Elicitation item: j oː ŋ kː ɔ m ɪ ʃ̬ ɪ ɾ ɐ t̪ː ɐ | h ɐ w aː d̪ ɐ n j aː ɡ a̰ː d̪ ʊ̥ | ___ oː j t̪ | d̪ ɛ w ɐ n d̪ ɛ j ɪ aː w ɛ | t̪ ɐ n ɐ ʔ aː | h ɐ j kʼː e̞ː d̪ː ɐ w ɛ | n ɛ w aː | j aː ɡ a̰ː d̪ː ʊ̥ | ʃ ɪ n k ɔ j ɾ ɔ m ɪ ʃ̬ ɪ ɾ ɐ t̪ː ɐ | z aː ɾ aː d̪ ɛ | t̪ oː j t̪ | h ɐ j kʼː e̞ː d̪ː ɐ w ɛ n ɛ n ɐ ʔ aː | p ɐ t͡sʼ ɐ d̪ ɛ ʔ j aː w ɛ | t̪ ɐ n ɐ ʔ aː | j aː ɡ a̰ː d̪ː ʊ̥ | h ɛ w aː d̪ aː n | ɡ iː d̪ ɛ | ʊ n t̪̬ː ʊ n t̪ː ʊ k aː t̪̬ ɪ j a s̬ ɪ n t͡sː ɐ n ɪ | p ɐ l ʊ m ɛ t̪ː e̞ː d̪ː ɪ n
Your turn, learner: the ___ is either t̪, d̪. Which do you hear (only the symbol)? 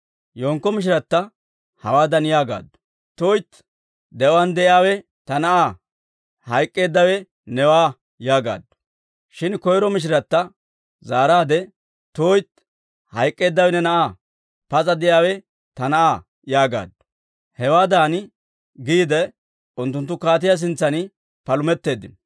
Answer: t̪